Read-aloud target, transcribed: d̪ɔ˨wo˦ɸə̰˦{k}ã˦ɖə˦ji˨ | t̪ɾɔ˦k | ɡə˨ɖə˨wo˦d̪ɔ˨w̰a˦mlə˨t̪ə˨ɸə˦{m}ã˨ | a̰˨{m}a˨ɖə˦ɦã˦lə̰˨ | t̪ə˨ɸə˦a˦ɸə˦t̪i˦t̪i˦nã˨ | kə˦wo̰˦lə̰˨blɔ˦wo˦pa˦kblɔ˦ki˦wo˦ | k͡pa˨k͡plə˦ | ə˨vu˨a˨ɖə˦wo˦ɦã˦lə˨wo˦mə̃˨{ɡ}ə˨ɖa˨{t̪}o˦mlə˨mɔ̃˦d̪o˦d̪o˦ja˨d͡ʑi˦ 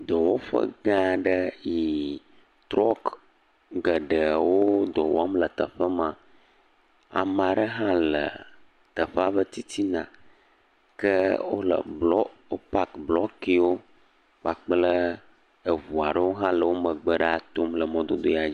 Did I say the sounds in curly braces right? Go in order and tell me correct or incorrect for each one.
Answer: incorrect: ɡ, correct, correct, incorrect: ɡ͡b, correct

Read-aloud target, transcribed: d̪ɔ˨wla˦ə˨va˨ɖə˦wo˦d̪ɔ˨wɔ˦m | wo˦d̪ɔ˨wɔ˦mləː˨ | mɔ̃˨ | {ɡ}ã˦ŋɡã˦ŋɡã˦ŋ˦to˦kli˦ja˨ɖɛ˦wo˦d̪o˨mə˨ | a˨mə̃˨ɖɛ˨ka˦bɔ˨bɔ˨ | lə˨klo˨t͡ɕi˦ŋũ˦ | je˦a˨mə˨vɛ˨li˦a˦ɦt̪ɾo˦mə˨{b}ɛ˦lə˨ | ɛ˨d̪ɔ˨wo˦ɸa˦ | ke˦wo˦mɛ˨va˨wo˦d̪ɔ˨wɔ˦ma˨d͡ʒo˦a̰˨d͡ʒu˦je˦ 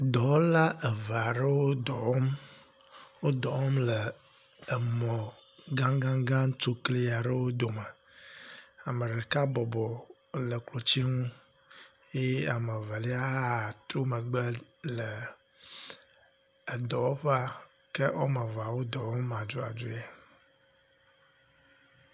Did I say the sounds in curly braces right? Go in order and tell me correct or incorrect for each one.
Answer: correct, incorrect: ɡ͡b

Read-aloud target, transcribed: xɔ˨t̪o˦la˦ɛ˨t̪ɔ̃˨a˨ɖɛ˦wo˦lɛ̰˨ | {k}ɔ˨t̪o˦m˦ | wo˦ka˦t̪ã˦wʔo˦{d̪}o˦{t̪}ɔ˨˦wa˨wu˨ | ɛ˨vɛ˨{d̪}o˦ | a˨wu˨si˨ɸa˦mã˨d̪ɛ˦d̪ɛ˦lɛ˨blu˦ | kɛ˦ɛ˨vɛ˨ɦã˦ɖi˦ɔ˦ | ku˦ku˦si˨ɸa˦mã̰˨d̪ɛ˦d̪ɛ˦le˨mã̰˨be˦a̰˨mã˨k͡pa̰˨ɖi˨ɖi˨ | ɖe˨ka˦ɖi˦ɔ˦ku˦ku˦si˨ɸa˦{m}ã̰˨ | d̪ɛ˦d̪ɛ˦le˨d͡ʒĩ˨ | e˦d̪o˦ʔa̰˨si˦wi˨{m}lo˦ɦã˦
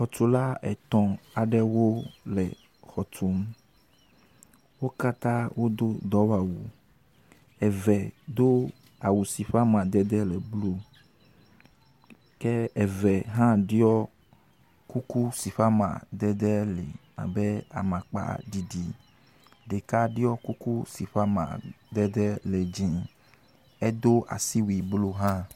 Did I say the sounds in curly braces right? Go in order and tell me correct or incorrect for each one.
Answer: incorrect: x, correct, incorrect: d̪, correct, correct, incorrect: b

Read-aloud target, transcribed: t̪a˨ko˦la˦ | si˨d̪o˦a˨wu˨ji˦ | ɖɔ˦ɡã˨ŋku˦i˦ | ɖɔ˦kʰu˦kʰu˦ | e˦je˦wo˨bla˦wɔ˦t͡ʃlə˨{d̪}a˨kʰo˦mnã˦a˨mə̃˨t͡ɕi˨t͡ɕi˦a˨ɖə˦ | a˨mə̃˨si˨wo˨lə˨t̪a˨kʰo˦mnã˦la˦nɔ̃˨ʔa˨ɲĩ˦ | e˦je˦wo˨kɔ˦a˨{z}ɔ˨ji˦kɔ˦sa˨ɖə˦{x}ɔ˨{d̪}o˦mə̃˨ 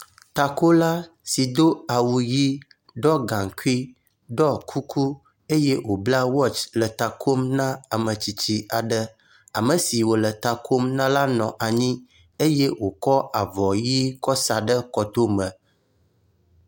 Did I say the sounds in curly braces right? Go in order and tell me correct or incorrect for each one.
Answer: incorrect: t̪, incorrect: v, incorrect: k, incorrect: t̪

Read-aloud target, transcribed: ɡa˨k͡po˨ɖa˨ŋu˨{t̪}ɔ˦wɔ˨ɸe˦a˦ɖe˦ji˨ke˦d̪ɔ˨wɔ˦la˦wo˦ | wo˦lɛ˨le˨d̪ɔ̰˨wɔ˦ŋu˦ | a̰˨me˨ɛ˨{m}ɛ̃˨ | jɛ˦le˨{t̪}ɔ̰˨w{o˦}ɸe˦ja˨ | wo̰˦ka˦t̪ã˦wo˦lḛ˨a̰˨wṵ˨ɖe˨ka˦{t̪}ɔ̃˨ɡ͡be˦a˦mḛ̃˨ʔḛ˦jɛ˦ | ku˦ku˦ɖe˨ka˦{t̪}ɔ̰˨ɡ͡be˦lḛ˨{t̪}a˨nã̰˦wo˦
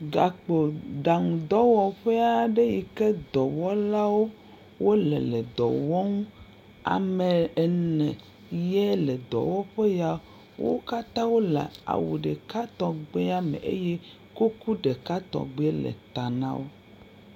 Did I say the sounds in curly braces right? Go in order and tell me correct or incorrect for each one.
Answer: incorrect: d̪, incorrect: n, incorrect: d̪, incorrect: ɔ˦, correct, correct, correct

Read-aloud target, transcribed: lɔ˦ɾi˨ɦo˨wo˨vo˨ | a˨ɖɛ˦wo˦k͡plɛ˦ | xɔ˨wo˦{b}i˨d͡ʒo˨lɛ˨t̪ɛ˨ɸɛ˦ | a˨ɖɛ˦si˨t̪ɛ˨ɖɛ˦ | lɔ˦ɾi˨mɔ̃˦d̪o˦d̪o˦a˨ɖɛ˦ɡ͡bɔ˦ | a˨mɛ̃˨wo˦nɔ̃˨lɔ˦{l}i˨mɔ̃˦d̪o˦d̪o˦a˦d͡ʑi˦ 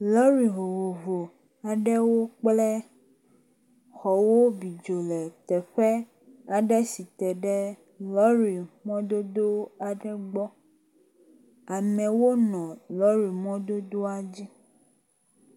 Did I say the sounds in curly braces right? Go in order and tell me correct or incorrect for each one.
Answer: correct, incorrect: ɾ

